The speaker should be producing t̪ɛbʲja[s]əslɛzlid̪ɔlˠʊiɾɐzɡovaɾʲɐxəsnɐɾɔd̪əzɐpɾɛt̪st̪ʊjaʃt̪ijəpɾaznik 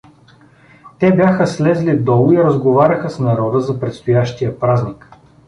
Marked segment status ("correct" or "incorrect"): incorrect